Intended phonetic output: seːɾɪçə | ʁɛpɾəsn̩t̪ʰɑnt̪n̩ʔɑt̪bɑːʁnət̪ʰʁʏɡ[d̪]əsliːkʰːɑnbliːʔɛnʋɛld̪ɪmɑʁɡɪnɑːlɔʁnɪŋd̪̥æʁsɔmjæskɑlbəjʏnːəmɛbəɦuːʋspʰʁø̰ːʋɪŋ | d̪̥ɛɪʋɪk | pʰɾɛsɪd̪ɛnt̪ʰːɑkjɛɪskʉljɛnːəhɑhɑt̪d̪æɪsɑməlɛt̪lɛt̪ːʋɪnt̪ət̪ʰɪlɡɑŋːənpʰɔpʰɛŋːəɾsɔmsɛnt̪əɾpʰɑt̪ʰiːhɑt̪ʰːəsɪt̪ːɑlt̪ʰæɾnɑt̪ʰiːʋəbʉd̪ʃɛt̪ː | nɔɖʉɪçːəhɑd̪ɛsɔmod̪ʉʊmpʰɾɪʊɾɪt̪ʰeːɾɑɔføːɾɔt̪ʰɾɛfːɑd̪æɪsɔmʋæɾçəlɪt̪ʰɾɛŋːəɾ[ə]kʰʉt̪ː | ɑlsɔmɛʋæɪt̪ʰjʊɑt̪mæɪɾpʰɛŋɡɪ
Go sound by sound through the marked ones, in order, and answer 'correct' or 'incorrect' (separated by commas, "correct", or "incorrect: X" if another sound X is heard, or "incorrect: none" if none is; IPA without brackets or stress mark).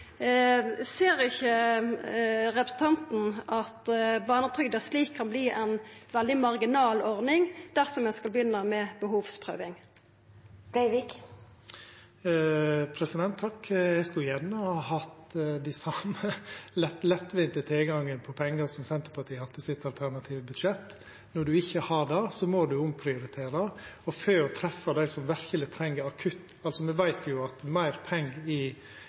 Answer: correct, incorrect: ɑ